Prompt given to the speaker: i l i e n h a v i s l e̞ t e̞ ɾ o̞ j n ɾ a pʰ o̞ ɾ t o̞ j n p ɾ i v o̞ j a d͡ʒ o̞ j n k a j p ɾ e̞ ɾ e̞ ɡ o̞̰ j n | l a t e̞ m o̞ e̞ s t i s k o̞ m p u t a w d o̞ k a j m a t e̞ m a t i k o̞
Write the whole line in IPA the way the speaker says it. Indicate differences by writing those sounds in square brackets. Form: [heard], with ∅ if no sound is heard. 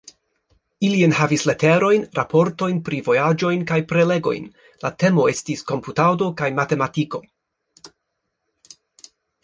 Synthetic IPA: i l i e n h a v i s l e̞ t e̞ ɾ o̞ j n ɾ a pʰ o̞ ɾ t o̞ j n p ɾ i v o̞ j a d͡ʒ o̞ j n k a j p ɾ e̞ [l] e̞ ɡ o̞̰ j n | l a t e̞ m o̞ e̞ s t i s k o̞ m p u t a w d o̞ k a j m a t e̞ m a t i k o̞